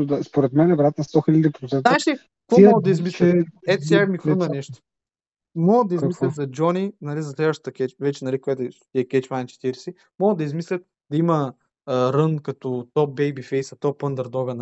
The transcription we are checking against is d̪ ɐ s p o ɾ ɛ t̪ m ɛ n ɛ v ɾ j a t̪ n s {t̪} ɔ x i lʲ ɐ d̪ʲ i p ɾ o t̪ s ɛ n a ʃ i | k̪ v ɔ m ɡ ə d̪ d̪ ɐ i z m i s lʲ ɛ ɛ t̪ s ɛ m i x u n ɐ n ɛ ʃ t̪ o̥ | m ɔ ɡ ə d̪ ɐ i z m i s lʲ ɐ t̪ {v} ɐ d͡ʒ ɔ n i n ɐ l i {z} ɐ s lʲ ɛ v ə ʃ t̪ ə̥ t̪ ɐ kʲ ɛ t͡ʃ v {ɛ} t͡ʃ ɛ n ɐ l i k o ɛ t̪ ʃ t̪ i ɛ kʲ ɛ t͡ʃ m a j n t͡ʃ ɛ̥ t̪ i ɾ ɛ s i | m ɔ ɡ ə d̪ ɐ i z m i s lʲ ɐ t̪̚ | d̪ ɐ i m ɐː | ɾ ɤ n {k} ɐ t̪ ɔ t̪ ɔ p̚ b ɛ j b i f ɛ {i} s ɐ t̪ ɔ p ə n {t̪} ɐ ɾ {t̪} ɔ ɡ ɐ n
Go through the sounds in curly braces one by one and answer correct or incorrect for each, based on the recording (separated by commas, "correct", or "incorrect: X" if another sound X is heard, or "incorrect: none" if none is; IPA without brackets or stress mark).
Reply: correct, incorrect: z, correct, correct, correct, incorrect: j, incorrect: d̪, incorrect: d̪